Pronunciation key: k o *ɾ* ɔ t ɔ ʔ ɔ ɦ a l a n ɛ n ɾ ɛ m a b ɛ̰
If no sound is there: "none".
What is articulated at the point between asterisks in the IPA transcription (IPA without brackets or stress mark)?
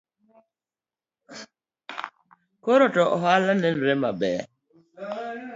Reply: ɾ